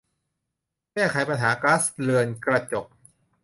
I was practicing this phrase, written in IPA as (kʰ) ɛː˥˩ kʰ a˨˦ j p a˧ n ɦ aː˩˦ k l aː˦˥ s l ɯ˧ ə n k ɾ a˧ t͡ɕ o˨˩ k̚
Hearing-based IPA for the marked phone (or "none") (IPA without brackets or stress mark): k